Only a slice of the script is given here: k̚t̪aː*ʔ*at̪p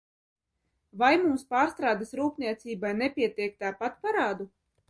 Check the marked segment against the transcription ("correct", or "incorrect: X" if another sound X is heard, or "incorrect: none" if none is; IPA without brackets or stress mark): incorrect: p